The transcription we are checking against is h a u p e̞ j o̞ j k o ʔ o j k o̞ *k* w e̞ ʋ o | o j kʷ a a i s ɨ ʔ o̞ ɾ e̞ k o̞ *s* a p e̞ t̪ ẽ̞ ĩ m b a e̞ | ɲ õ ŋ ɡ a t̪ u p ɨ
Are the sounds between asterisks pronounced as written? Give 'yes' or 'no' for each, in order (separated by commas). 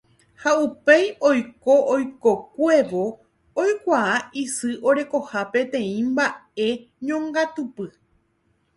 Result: yes, no